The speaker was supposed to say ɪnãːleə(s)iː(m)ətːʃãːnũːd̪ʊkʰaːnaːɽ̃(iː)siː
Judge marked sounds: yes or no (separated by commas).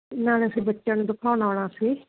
yes, no, no